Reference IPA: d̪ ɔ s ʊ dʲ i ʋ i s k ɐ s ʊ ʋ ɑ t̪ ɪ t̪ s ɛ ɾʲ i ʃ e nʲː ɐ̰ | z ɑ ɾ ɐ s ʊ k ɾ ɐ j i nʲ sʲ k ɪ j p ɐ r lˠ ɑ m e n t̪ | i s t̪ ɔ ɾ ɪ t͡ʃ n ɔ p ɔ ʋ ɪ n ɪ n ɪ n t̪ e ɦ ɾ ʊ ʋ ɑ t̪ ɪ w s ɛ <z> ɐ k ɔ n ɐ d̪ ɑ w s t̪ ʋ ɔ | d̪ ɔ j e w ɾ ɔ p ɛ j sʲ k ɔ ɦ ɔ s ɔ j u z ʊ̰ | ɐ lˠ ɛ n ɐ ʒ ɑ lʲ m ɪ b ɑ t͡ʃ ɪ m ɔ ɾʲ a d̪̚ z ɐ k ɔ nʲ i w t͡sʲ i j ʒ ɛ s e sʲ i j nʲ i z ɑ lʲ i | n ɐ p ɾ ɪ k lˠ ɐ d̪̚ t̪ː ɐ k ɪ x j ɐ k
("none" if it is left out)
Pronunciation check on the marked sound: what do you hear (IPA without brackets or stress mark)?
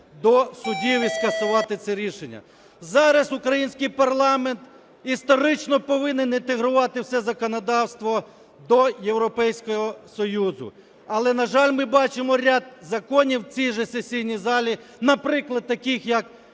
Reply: z